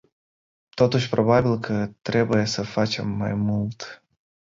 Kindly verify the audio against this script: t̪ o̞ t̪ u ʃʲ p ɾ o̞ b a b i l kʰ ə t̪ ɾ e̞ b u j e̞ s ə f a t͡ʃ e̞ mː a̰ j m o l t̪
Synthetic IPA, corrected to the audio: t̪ o̞ t̪ u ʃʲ p ɾ o̞ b a b i l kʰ ə t̪ ɾ e̞ b u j e̞ s ə f a t͡ʃ e̞ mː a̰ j m u l t̪